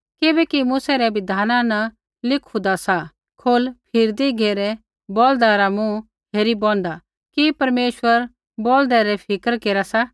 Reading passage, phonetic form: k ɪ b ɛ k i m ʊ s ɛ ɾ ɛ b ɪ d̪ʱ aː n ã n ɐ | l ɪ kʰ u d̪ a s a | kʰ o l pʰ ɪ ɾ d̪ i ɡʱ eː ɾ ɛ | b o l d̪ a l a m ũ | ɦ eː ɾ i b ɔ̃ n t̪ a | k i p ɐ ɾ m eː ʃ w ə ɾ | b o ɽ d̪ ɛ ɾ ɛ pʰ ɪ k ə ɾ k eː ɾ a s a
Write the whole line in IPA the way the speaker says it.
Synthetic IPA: k ɪ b ɛ k i m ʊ s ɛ ɾ ɛ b ɪ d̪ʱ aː n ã n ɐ | l ɪ kʰ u d̪ a s a | kʰ o l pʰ ɪ ɾ d̪ i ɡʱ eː ɾ ɛ | b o l d̪ a ɾ a m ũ | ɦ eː ɾ i b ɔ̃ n d̪ a | k i p ɐ ɾ m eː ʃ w ə ɾ | b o l d̪ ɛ ɾ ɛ pʰ ɪ k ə ɾ k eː ɾ a s a